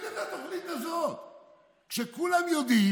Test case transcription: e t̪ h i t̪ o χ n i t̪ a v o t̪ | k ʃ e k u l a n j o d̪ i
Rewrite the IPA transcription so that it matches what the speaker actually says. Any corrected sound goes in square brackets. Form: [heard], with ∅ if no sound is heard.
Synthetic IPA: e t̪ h [a] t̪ o χ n i t̪ a [z] o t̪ | k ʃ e k u l a [m] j o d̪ i